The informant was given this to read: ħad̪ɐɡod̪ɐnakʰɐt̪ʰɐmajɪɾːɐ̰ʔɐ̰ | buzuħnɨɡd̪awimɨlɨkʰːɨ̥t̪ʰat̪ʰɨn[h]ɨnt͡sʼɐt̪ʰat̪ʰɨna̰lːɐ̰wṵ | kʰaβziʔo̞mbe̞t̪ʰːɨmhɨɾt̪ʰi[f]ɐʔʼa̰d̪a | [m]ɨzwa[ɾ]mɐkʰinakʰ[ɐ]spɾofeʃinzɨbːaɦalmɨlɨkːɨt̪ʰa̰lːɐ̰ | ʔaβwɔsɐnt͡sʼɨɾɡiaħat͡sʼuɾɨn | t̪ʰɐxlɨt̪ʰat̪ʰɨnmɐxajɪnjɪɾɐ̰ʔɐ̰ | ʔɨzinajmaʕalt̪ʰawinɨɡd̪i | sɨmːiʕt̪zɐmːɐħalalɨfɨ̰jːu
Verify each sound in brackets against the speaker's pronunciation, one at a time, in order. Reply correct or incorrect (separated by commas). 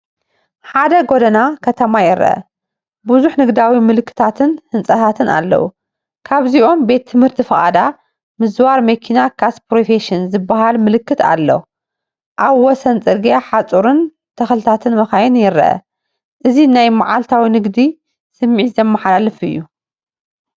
correct, correct, correct, correct, incorrect